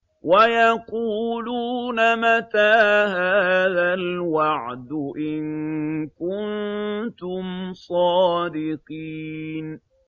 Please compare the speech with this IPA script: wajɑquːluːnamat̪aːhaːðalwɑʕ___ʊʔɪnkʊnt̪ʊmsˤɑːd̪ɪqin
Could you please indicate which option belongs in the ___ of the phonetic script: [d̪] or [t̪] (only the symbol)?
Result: d̪